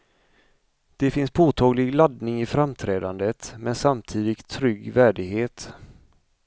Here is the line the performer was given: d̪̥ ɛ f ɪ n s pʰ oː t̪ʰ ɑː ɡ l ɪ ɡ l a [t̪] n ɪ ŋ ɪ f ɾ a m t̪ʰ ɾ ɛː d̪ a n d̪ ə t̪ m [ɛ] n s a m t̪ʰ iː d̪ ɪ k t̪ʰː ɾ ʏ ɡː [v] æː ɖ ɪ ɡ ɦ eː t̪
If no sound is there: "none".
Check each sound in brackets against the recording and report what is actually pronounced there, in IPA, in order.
d̪, ɛ, v

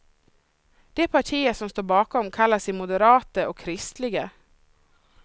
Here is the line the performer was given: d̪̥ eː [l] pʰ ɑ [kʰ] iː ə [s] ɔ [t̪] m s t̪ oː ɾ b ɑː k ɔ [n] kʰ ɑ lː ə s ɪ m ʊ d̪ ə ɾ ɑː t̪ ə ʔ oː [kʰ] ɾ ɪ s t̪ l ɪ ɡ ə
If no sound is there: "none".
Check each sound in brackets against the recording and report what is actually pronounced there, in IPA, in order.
none, ʈʰ, s, none, m, kʰ

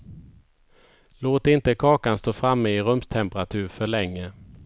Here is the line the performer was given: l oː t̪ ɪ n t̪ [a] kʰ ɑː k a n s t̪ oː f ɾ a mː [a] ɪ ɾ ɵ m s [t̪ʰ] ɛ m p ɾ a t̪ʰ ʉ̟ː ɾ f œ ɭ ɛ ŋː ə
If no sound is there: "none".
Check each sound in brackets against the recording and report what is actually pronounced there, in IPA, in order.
ə, ə, t̪ʰ

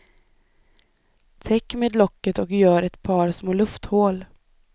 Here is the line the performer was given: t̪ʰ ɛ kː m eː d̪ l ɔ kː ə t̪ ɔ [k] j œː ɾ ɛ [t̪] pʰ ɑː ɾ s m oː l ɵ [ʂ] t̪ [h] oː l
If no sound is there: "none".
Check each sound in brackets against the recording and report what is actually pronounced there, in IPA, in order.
k, t̪, f, h

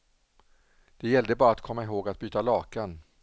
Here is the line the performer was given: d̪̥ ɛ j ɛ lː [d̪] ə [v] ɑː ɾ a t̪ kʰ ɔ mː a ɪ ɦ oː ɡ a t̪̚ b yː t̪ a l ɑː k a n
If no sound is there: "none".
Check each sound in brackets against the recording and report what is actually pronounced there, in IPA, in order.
d̪, b

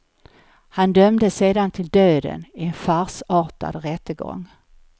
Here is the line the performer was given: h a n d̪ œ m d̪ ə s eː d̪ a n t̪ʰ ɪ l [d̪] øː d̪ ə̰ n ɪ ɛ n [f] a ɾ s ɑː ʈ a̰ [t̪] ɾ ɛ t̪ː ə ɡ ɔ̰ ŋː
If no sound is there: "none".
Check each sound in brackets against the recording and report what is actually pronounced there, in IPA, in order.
d̪, f, d̪

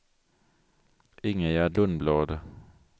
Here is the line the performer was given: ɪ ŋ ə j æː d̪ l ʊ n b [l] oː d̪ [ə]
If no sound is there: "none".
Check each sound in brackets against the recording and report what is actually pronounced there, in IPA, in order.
l, ə

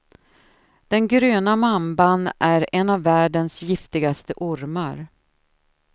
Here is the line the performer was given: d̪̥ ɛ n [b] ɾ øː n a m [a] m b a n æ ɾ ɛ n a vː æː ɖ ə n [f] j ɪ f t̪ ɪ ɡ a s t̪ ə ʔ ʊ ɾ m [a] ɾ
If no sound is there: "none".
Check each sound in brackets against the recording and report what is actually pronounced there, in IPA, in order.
ɡ, a, s, a

